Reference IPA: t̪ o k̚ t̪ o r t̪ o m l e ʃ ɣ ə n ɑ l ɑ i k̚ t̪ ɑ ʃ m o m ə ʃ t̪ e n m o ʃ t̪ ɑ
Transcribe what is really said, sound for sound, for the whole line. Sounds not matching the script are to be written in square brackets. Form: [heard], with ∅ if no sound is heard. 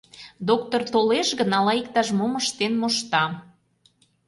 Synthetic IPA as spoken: [d̪] o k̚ t̪ o r t̪ o [∅] l e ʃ ɣ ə n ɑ l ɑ i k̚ t̪ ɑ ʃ m o m ə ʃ t̪ e n m o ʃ t̪ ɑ